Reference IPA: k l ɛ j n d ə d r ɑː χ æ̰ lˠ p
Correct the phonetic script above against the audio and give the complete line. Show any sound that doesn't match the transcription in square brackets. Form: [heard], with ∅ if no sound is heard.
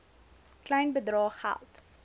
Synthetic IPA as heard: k l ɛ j n [b] ə d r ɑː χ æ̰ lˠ [t]